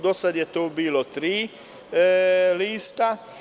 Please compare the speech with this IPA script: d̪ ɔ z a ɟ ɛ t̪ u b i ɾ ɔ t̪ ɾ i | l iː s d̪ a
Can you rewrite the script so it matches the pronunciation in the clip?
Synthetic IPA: d̪ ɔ s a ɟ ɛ t̪ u b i l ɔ t̪ ɾ i | l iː s t̪ a